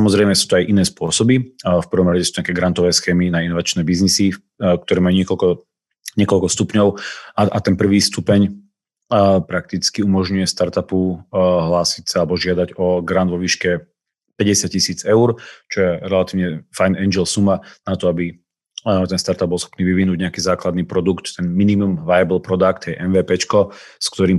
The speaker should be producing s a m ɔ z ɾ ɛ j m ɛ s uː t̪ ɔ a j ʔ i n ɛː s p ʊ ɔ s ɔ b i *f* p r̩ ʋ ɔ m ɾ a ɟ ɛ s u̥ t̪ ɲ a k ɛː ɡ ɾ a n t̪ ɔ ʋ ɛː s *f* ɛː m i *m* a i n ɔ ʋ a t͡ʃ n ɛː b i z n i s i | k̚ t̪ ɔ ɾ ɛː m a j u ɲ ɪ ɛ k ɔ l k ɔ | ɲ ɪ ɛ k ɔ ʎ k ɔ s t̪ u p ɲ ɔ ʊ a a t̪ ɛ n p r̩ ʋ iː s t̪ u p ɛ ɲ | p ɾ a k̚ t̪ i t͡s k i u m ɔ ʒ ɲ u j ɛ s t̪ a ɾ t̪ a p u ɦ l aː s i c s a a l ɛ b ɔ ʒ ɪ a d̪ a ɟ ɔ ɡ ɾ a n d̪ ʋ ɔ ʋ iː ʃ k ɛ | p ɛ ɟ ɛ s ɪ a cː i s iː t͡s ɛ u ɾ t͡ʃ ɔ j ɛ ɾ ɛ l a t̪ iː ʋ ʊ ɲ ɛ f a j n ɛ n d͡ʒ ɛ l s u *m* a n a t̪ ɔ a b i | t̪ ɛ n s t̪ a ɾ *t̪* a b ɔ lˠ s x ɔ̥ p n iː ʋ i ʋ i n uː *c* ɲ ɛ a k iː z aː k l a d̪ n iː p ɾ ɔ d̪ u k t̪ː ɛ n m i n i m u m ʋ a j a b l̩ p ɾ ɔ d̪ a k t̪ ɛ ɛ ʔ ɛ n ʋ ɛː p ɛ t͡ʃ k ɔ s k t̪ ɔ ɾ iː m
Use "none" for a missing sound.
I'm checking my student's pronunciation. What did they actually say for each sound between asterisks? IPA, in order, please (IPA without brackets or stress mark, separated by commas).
f, x, n, m, t̪, ɟ